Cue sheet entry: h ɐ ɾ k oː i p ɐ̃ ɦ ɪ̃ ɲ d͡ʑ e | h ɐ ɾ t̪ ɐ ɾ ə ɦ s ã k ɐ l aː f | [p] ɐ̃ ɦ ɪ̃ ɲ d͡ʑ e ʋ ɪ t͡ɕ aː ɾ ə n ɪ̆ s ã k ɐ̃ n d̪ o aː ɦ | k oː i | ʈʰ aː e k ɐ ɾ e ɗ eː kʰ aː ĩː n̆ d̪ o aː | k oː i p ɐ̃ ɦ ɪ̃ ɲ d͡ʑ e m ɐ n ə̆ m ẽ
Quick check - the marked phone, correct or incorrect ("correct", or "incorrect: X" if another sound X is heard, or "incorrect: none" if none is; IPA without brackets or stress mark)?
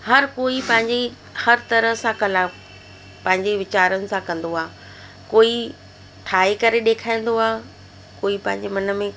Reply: correct